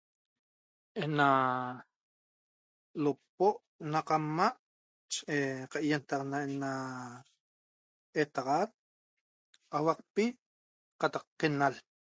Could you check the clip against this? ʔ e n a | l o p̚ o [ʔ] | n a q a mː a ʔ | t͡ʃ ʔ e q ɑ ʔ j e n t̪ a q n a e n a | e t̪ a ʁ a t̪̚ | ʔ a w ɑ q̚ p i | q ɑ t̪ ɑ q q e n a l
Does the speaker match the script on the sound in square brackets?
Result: yes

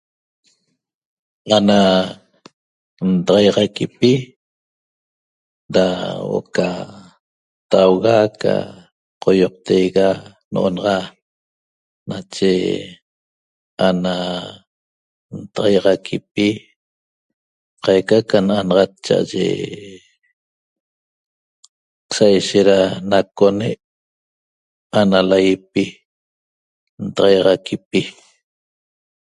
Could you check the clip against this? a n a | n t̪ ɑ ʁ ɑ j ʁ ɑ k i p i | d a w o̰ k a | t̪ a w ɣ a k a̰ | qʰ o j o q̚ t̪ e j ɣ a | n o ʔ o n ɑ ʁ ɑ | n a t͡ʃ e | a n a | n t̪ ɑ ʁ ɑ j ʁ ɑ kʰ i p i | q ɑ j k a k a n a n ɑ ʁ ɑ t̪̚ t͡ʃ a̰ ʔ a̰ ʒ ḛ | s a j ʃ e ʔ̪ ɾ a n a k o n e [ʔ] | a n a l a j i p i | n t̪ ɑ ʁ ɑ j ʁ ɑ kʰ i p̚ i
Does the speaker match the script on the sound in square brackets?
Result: yes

